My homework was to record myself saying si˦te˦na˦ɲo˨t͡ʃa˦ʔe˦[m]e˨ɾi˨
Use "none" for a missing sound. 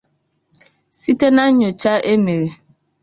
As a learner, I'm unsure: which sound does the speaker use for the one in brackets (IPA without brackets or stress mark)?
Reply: m